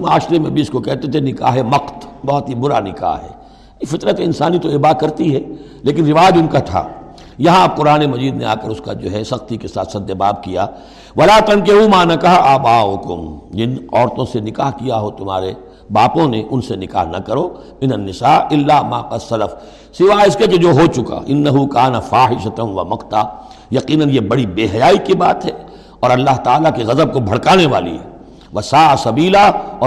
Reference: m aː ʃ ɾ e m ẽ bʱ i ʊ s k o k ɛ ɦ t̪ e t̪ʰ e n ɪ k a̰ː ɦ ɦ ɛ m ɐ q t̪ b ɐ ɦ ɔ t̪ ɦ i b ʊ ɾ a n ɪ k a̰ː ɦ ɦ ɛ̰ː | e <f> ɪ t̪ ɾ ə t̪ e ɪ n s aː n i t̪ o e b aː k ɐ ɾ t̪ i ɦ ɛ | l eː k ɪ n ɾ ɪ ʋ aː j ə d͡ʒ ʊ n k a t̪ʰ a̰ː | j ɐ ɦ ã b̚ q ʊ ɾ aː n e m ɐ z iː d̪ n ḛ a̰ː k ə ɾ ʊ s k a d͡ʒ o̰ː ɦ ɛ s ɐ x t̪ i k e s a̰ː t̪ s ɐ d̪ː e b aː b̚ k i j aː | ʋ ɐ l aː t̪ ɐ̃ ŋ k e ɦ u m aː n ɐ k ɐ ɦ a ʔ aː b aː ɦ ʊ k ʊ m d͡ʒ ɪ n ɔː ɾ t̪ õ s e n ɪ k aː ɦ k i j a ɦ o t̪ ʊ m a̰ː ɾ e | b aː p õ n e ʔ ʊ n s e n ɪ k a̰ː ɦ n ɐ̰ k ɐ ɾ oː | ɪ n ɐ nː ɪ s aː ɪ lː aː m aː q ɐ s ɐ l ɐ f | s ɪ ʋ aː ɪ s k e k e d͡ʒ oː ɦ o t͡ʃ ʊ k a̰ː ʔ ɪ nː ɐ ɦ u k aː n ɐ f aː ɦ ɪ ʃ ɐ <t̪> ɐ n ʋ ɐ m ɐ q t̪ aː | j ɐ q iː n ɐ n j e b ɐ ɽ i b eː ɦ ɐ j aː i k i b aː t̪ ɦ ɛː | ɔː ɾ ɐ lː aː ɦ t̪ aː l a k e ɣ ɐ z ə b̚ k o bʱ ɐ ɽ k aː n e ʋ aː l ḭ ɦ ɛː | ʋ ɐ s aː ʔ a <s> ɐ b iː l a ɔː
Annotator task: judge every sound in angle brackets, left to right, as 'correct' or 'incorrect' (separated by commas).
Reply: correct, correct, correct